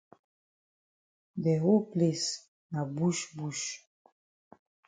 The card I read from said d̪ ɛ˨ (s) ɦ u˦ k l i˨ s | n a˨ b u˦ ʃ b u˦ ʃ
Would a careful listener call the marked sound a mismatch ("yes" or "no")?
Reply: yes